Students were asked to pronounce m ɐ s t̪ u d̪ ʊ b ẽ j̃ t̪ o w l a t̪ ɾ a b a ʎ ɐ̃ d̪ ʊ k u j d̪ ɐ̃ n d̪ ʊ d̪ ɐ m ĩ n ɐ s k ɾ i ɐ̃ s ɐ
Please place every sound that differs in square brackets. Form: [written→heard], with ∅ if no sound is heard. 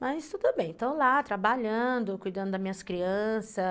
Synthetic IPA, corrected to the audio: m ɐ s t̪ u d̪ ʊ b ẽ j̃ t̪ o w l a t̪ ɾ a b a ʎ ɐ̃ d̪ ʊ k u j d̪ ɐ̃ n d̪ ʊ d̪ ɐ m ĩ [n→ɲ] ɐ s k ɾ i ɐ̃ s ɐ